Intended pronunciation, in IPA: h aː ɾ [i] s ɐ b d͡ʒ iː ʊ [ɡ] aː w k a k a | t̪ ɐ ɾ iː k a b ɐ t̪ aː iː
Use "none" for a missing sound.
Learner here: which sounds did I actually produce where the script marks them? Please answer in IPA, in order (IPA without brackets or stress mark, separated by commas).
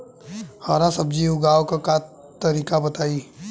a, ɡ